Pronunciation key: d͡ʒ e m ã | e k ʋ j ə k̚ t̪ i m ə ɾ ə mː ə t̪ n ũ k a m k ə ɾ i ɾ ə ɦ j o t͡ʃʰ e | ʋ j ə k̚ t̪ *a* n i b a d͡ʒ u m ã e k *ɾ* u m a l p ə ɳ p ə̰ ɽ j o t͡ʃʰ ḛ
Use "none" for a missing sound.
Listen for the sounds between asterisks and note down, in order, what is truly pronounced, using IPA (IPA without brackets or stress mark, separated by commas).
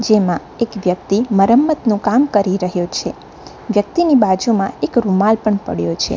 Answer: i, ɾ